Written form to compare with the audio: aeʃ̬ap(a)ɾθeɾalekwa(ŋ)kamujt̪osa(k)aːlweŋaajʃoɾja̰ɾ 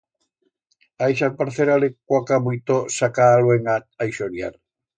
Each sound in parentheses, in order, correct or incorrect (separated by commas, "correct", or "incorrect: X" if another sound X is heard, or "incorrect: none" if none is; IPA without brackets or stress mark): correct, incorrect: none, correct